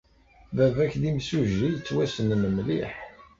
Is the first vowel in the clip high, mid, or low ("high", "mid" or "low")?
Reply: low